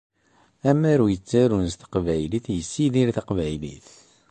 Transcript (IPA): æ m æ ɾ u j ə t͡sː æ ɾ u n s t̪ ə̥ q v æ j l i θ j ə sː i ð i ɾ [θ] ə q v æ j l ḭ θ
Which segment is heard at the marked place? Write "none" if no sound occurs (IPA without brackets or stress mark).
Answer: θ